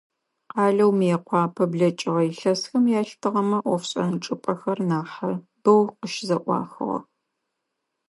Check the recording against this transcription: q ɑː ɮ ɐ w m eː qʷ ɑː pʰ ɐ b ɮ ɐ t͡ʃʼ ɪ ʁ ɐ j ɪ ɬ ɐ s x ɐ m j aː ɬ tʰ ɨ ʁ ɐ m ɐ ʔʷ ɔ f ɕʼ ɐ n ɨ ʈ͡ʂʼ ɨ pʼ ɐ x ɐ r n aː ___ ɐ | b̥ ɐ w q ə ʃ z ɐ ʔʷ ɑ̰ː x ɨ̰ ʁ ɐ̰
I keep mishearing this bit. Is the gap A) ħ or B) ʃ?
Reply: A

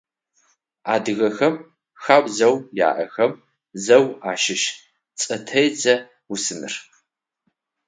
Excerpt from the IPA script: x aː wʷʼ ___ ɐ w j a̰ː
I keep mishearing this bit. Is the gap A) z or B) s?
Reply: A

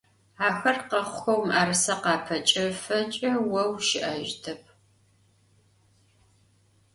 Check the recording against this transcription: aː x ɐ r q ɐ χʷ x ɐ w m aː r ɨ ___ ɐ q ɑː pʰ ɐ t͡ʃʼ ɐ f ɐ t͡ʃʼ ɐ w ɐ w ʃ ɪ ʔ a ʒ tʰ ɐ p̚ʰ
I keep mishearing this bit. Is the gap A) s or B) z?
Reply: A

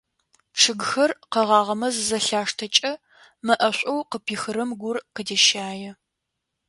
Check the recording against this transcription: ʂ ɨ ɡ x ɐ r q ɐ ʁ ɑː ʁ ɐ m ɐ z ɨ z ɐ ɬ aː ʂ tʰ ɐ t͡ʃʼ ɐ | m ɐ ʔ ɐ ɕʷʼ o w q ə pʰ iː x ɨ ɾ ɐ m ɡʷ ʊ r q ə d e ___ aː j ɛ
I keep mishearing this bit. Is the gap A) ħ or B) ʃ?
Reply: B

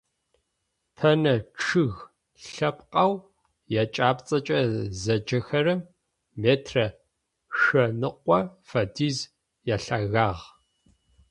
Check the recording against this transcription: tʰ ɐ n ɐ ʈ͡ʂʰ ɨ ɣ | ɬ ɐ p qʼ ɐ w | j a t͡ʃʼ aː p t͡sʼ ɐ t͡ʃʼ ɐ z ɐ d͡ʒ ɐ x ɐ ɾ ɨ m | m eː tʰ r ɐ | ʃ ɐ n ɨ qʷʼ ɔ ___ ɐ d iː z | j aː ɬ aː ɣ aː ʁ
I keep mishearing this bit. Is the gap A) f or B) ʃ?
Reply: A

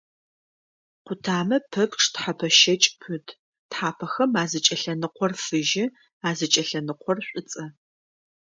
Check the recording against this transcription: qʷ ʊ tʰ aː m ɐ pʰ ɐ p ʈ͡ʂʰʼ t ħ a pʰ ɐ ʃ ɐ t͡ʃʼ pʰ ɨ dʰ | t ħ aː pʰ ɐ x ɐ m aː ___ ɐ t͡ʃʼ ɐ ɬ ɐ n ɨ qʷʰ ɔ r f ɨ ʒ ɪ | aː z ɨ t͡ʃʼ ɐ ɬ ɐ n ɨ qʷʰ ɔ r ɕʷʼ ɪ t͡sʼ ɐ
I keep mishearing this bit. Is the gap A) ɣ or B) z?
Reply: B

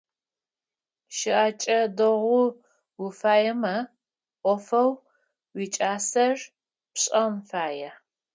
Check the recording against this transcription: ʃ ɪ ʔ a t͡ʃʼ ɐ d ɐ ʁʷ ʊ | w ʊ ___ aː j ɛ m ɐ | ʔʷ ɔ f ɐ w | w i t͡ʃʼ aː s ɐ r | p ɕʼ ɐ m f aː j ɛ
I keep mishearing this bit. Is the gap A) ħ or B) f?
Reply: B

